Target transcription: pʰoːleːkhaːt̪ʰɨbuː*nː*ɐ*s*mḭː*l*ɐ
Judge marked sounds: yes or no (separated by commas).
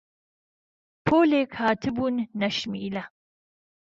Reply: yes, no, yes